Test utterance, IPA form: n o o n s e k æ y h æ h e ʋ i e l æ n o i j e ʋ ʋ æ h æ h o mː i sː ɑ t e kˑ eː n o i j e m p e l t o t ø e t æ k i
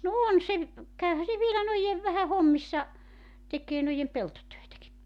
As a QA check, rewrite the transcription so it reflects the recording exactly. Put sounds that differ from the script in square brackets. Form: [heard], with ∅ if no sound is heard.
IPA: n o o n s e k æ y h æ [s] e ʋ i e l æ n o i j e ʋ ʋ æ h æ h o mː i sː ɑ t e kˑ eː n o i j e m p e l t o t ø e t æ k i